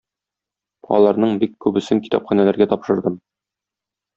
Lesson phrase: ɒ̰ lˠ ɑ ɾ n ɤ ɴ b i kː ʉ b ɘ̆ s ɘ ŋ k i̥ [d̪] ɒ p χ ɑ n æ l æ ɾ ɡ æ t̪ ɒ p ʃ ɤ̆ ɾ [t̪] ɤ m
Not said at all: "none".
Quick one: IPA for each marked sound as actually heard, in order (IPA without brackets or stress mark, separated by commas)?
t̪, d̪